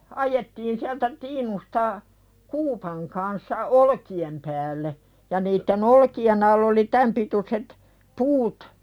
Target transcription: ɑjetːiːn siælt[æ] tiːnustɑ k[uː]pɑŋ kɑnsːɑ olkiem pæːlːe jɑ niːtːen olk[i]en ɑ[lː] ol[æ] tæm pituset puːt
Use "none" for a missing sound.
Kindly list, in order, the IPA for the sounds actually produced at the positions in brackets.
æ, uː, i, lː, i

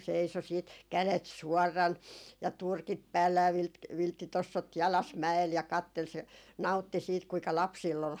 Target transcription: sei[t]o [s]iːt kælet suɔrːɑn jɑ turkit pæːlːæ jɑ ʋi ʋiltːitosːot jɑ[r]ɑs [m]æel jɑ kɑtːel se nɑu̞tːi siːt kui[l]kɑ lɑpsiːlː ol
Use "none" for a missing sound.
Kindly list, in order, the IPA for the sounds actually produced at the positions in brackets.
s, s, l, m, none

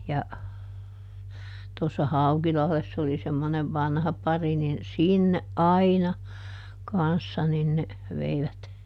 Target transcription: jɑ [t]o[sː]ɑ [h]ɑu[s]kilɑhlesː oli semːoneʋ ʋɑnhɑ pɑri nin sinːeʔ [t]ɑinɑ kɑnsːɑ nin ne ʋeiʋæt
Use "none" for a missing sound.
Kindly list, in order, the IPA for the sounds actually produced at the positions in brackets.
t, sː, h, none, ʔ

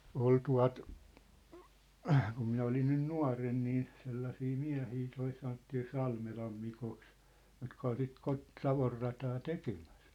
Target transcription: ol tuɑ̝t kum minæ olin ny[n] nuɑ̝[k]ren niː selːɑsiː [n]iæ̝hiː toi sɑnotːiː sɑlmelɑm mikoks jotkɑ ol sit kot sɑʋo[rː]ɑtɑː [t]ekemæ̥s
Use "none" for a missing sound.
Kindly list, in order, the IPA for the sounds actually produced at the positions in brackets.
n, none, m, rː, t

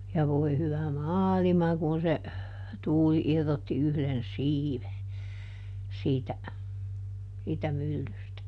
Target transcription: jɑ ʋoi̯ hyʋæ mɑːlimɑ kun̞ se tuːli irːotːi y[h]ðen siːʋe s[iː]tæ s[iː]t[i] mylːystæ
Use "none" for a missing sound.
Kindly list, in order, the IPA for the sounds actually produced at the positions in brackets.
h, iː, iː, æ

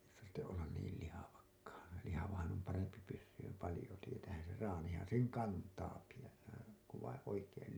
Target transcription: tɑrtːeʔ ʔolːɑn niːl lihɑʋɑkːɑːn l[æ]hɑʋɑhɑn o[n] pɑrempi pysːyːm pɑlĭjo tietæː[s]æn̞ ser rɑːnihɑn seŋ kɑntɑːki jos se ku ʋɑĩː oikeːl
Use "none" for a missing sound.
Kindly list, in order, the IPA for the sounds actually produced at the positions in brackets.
i, m, h

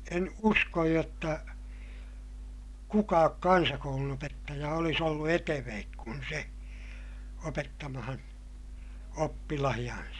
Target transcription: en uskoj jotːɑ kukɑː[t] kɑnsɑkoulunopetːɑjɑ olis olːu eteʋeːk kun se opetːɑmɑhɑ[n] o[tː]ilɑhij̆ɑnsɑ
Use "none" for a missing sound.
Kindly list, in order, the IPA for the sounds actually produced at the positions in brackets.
k, n, pː

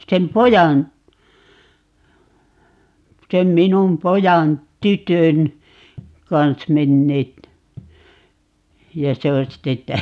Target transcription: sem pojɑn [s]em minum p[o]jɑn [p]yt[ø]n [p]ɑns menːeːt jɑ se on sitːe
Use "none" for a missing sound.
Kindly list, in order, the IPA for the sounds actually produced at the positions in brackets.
s, o, t, ø, k

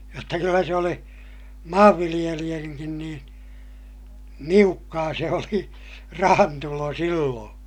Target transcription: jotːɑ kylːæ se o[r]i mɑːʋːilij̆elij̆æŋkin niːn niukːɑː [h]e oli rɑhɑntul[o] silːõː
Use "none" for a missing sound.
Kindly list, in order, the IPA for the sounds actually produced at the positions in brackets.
l, s, o

